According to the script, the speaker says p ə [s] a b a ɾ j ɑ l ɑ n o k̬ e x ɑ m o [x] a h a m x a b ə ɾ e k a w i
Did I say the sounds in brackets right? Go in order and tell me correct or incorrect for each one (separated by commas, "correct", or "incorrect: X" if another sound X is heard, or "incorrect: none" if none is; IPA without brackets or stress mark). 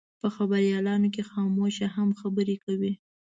incorrect: x, incorrect: ʃ